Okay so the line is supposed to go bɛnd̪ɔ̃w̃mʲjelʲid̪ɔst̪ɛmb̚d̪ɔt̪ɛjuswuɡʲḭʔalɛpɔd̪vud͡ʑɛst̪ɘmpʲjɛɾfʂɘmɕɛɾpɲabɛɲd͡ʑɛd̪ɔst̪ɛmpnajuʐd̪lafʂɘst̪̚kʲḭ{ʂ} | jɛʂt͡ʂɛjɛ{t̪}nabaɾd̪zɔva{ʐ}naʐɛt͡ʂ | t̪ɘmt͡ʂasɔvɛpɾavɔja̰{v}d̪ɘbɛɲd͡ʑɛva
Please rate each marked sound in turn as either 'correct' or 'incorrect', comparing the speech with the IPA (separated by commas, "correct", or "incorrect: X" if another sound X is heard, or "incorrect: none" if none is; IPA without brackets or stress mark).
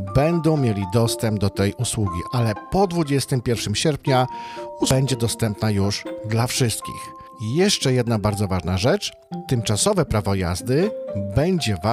incorrect: x, incorrect: d̪, correct, incorrect: z